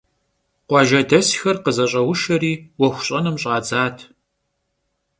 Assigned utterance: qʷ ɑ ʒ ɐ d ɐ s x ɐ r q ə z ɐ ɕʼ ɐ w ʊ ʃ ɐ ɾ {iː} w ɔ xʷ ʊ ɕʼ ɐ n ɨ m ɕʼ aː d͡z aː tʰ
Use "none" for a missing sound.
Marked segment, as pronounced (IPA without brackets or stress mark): iː